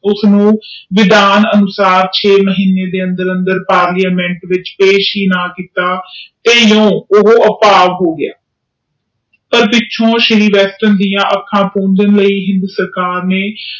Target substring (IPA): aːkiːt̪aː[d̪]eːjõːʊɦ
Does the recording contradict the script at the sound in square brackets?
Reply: yes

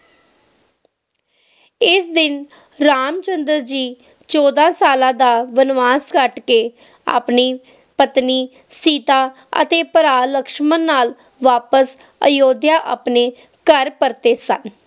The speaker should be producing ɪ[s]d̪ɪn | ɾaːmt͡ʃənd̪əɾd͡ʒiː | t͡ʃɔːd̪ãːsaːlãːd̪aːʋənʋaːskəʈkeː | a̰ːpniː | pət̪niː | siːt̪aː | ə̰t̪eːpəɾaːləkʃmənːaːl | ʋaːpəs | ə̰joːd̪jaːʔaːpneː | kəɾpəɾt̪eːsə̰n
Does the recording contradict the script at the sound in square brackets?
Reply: no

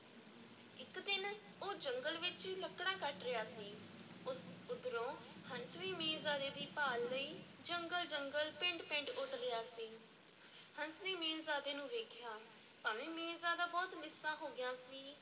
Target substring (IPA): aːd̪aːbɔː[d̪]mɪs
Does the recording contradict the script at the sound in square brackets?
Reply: yes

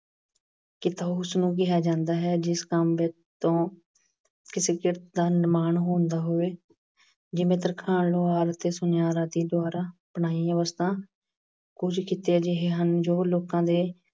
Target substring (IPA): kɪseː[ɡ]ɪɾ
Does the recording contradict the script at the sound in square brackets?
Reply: yes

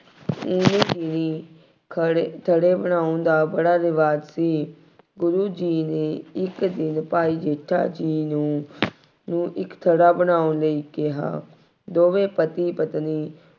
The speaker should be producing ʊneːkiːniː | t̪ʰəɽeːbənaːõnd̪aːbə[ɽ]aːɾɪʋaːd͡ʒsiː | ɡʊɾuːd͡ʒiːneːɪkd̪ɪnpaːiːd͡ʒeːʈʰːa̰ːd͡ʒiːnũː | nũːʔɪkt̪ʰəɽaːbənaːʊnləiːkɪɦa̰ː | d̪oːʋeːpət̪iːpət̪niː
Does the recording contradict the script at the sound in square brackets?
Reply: no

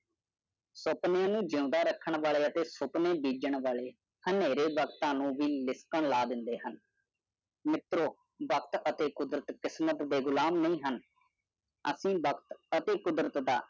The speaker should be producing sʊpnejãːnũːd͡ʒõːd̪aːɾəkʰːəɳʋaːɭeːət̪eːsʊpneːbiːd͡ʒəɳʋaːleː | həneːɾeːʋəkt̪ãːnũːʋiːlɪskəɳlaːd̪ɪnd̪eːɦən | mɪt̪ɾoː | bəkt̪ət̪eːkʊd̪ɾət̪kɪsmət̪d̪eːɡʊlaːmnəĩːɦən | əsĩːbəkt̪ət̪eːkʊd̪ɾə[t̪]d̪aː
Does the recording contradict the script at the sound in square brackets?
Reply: no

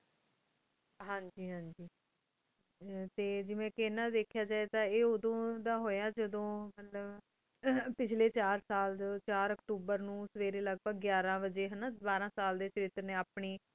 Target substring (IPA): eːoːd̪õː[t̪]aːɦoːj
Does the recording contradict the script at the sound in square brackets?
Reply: yes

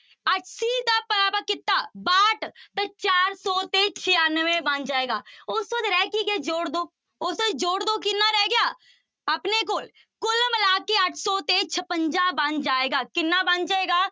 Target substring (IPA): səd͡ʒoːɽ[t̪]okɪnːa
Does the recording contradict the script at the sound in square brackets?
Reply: yes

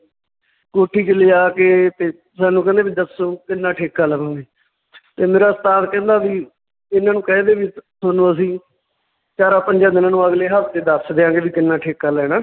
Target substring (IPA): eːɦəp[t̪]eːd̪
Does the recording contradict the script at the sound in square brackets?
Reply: no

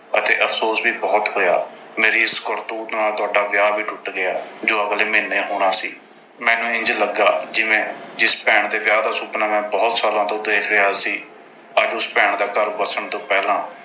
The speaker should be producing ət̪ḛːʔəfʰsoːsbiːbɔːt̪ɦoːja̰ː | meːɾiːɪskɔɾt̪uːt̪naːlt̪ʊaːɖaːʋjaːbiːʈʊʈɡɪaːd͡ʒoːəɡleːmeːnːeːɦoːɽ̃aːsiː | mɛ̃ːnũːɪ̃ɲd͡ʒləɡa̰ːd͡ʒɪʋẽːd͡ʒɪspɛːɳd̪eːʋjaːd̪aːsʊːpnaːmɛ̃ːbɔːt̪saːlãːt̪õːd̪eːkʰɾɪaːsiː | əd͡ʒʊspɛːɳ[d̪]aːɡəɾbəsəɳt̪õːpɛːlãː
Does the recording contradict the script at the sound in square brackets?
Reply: no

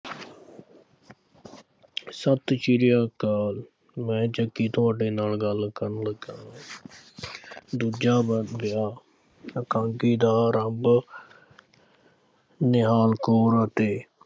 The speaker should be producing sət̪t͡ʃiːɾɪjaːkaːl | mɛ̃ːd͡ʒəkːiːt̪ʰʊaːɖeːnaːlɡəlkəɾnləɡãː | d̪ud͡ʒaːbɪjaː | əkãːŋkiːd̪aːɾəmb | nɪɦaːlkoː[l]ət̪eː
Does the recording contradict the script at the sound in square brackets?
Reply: yes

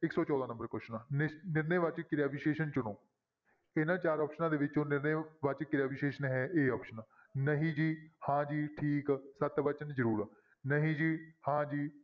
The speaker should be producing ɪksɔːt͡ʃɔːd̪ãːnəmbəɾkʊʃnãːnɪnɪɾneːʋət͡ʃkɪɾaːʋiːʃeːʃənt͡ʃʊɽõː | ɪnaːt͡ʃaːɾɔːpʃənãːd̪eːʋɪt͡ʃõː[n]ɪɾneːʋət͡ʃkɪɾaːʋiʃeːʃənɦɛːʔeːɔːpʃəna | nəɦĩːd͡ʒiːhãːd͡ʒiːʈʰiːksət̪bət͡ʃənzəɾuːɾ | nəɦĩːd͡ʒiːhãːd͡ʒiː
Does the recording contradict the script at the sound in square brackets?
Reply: no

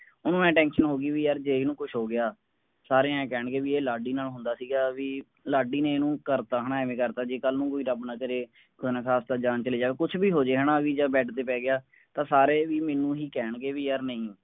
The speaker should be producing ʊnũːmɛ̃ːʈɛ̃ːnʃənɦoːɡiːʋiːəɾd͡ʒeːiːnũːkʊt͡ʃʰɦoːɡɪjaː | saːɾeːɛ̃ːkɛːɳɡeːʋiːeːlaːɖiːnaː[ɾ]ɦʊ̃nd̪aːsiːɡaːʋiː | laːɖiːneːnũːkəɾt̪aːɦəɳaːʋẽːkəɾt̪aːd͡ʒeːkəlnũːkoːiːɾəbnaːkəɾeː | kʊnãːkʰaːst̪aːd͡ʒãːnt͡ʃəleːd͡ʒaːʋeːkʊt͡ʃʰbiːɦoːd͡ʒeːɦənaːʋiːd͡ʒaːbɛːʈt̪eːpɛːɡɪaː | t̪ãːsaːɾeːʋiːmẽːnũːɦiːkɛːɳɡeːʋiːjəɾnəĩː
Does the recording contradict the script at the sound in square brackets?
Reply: yes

